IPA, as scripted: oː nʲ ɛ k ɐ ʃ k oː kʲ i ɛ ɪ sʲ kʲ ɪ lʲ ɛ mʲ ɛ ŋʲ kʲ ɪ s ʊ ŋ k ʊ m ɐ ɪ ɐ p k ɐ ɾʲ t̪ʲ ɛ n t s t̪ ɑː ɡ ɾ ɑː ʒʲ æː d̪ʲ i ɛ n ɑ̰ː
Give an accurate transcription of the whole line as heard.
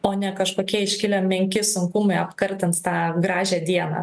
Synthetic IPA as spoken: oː nʲ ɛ k ɐ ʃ k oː kʲ i ɛ ɪ ʃʲ kʲ ɪ lʲ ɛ mʲ ɛ ŋʲ kʲ ɪ s ʊ ŋ k ʊ m ɐ ɪ ɐ p k ɐ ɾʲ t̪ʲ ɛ n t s t̪ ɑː ɡ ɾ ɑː ʒʲ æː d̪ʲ i ɛ n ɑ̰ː